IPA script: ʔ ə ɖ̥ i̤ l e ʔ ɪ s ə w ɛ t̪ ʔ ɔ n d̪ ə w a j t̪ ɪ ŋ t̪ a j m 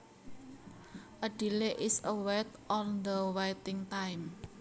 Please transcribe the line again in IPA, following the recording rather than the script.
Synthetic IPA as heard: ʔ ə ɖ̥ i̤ l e ʔ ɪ s ə w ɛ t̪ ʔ ɔ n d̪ ə w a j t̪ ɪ ŋ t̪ a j m